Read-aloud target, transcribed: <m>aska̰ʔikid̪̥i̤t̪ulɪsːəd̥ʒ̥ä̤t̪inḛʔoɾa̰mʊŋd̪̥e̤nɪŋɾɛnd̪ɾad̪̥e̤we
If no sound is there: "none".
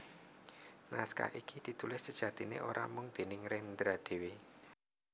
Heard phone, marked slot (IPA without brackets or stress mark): n